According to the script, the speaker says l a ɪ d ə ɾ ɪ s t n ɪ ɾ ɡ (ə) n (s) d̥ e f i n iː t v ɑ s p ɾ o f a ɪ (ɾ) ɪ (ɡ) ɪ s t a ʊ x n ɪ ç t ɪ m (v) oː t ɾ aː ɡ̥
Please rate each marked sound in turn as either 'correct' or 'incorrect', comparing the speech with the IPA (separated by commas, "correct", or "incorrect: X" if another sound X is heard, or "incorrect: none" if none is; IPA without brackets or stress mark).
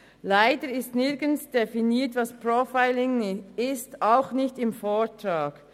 correct, correct, incorrect: l, incorrect: ŋ, incorrect: f